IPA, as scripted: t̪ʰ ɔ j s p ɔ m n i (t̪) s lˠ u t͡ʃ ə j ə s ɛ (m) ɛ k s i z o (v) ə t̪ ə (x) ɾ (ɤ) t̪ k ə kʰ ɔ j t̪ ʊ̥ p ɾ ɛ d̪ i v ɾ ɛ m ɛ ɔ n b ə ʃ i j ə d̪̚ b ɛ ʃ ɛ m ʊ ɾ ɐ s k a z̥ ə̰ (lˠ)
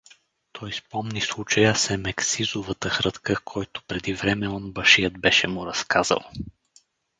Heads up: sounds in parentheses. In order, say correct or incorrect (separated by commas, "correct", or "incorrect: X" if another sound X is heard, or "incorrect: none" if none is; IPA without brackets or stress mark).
incorrect: none, correct, correct, correct, correct, correct